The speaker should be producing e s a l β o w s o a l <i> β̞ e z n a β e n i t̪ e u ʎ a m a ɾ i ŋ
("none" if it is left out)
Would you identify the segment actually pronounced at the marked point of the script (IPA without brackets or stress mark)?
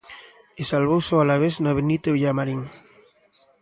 a